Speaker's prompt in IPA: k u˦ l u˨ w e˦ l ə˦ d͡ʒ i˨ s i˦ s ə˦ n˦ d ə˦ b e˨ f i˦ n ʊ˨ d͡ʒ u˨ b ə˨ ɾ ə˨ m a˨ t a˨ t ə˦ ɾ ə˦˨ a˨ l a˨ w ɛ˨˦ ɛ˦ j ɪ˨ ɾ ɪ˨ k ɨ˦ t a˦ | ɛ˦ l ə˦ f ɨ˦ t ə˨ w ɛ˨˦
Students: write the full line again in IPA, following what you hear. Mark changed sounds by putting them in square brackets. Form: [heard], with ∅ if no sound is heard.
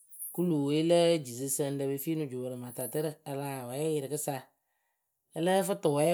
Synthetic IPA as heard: k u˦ l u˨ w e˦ l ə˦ d͡ʒ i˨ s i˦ s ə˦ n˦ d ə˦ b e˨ f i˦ n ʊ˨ d͡ʒ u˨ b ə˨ ɾ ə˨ m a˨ t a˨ t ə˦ ɾ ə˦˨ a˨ l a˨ w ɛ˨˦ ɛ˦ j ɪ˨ ɾ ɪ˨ k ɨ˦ [s] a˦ | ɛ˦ l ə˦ f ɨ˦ t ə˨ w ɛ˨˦